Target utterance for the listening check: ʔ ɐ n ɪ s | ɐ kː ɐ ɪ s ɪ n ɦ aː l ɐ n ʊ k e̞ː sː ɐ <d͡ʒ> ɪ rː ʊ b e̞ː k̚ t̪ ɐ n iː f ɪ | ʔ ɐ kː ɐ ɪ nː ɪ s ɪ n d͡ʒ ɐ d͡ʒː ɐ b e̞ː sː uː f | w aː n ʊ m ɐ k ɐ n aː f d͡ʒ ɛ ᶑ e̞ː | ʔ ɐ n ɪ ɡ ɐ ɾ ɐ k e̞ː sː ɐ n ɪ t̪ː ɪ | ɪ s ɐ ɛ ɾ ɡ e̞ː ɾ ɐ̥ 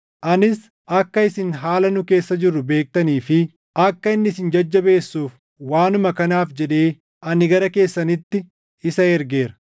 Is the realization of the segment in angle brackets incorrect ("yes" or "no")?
no